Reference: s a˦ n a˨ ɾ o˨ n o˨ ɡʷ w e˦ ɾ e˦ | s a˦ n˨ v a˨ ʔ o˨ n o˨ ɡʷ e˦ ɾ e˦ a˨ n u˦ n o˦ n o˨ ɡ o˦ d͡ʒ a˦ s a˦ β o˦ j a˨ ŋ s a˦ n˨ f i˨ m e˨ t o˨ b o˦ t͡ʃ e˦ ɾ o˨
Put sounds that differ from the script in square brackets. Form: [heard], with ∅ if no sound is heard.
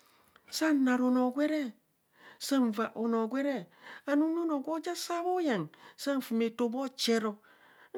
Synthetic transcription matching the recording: s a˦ n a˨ ɾ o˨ n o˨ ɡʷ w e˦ ɾ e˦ | s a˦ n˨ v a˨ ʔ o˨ n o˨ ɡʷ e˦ ɾ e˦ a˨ n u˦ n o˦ n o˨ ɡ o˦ d͡ʒ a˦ s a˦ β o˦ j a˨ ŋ s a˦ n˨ f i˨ m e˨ t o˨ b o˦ t͡ʃ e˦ ɾ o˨